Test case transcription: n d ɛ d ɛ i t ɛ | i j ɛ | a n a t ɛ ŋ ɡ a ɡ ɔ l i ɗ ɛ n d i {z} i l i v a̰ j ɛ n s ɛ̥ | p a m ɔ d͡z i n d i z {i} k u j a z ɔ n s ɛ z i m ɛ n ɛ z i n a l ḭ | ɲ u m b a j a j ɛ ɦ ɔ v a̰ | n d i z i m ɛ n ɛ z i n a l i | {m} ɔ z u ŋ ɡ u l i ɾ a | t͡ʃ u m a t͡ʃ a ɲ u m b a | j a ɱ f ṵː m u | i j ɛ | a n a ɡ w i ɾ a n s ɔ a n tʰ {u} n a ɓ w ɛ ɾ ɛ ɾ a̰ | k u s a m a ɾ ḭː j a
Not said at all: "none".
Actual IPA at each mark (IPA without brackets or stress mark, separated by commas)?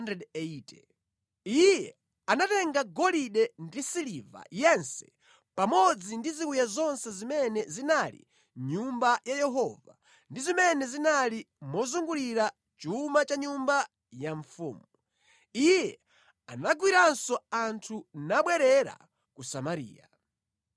s, i, m, u